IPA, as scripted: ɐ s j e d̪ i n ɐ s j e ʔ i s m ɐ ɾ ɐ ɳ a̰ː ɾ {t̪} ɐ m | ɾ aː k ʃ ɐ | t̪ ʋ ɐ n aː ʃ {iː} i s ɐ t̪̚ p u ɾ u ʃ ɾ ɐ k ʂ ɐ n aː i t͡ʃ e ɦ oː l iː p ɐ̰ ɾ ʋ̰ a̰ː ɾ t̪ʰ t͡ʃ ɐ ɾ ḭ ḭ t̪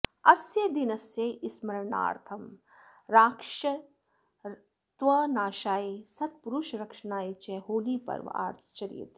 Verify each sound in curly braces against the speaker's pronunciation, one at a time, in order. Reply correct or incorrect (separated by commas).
incorrect, incorrect